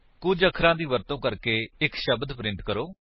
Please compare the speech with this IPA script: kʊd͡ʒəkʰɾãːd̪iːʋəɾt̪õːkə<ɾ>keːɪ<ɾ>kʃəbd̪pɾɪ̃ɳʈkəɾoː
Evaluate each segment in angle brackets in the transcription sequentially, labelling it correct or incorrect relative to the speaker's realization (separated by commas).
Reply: correct, incorrect